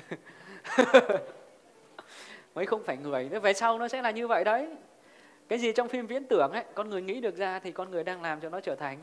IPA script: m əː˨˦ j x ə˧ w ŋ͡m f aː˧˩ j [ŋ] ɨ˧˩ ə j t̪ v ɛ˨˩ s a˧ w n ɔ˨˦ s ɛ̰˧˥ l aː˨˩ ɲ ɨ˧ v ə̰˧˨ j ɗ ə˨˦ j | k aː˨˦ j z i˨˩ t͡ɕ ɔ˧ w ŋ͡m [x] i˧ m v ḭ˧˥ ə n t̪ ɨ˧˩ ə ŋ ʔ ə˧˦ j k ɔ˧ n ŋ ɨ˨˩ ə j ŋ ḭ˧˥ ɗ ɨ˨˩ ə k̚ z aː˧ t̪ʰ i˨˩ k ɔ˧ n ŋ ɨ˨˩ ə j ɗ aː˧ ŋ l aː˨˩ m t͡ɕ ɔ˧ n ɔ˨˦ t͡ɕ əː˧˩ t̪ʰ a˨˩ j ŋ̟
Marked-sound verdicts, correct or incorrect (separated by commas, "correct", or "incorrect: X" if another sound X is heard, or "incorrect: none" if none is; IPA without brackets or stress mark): correct, incorrect: f